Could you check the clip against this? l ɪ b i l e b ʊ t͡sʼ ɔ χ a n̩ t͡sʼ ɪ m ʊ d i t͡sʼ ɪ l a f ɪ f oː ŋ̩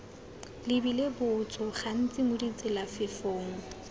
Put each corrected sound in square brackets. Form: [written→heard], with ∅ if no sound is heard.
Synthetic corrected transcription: l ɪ b i l e b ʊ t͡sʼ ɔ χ a n̩ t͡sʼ ɪ m ʊ d i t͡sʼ ɪ l a f ɪ f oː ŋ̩